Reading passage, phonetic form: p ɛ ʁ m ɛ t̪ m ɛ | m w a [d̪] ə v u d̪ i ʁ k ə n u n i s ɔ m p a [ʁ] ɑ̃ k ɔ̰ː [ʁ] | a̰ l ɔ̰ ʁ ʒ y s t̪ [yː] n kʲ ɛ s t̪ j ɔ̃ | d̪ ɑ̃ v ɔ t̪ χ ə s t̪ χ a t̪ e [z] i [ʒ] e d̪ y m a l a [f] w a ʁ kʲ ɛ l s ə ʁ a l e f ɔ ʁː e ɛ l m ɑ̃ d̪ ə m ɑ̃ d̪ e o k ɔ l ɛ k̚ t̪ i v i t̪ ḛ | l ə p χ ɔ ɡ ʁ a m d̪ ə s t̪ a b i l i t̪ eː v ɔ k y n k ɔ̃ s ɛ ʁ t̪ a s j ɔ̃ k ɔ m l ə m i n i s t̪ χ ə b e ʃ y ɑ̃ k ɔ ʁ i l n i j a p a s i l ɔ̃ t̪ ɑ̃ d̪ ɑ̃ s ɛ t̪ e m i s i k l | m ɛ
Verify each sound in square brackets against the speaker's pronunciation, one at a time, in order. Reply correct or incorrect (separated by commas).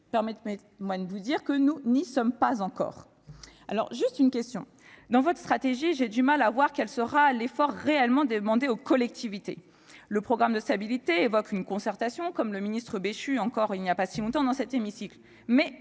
correct, incorrect, correct, incorrect, incorrect, correct, incorrect